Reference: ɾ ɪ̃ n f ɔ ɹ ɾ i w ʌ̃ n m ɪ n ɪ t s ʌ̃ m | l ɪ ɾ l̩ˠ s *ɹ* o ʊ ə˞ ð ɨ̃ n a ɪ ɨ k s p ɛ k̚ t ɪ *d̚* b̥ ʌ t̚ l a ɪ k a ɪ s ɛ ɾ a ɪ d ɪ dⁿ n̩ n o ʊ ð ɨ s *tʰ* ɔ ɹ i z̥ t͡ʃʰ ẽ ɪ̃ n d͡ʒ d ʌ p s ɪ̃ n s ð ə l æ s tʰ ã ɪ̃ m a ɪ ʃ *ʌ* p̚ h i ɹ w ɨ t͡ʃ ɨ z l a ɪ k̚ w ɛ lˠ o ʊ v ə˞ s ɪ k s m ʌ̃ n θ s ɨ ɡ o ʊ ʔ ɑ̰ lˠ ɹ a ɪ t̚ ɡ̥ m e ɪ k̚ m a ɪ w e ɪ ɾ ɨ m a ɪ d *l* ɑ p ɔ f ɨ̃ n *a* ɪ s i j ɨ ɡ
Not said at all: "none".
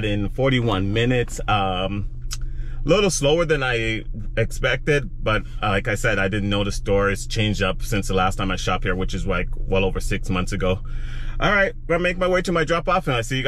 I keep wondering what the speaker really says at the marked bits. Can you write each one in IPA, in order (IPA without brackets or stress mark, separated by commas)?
l, d̚, t, ɑ, ɹ, a